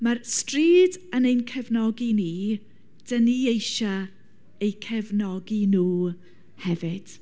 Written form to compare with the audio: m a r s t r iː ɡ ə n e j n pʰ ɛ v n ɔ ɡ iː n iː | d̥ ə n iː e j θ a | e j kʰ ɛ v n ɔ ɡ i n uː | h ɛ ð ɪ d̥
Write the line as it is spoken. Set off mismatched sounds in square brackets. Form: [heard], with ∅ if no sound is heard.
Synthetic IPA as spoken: m a r s t r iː [d] ə n e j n [kʰ] ɛ v n ɔ ɡ [i] n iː | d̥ ə n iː e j [ʃ] a | e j kʰ ɛ v n ɔ ɡ i n uː | h ɛ [v] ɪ d̥